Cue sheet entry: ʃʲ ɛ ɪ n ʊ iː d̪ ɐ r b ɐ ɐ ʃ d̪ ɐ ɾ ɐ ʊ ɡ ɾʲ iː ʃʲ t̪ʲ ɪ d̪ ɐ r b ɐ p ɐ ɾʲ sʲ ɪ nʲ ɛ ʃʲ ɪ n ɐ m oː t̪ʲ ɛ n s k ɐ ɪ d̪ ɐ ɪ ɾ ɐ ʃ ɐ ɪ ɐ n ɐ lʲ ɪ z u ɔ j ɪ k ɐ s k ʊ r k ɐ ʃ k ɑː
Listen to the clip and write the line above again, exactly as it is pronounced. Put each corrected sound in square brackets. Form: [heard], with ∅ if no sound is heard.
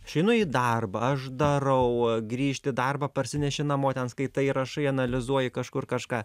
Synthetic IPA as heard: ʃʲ ɛ ɪ n ʊ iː d̪ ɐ r b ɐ ɐ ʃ d̪ ɐ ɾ ɐ ʊ ɡ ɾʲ iː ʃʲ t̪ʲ ɪ d̪ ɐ r b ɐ p ɐ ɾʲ sʲ ɪ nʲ ɛ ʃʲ ɪ n ɐ m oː t̪ʲ ɛ n s k ɐ ɪ [t̪] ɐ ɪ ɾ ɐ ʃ ɐ ɪ ɐ n ɐ lʲ ɪ z u ɔ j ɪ k ɐ [ʃ] k ʊ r k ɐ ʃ k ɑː